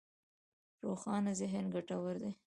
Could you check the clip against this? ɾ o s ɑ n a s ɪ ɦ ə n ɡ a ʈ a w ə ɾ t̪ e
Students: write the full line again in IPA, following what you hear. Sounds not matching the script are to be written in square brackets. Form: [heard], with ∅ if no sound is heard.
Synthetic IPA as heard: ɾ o [x] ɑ n a [z] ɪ ɦ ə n ɡ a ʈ a w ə ɾ [d̪] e

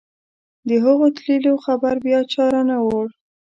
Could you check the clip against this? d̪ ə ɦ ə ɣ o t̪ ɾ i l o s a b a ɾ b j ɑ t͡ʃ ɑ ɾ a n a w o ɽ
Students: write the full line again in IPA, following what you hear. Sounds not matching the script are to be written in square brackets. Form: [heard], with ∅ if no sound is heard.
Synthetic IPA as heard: d̪ ə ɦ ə ɣ o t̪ [l] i l o [x] a b a ɾ b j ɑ t͡ʃ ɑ ɾ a n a w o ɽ

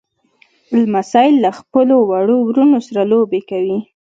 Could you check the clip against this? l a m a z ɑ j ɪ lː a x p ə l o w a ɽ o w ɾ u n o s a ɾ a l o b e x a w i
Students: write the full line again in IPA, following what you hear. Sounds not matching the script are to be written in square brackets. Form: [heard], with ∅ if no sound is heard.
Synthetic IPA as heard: l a m a [s] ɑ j ɪ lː a x p ə l o w a ɽ o w ɾ u n o s a ɾ a l o b e [k] a w i

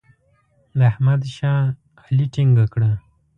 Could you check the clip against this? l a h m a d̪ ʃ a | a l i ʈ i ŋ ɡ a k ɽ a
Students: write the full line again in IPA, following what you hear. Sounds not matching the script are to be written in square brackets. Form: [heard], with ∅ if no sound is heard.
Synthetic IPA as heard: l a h m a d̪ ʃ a | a l i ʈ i ŋ ɡ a k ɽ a

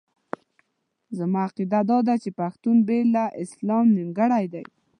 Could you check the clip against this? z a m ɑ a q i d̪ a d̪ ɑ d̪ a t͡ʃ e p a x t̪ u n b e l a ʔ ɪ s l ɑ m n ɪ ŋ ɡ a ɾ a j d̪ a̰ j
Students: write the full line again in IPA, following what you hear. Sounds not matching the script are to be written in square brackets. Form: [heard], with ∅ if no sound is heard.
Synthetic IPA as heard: z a m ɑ a q i d̪ a d̪ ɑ d̪ a t͡ʃ e p a x t̪ u n b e l a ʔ ɪ s l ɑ m n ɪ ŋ ɡ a [ɽ] a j d̪ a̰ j

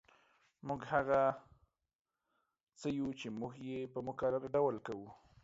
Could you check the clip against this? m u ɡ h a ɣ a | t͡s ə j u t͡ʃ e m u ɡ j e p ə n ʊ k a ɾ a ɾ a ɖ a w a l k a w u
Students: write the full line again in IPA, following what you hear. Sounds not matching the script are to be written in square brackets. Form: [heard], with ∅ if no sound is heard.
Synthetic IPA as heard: m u ɡ h a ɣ a | t͡s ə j u t͡ʃ e m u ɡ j e p ə [m] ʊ k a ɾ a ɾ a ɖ a w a l k a w u

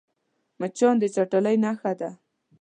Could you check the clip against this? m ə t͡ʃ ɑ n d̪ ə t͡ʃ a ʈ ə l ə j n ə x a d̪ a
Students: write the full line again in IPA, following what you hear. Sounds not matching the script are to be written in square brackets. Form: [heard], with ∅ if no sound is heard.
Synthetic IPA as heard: m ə t͡ʃ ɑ n d̪ ə t͡ʃ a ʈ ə l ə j n [a] x a d̪ a

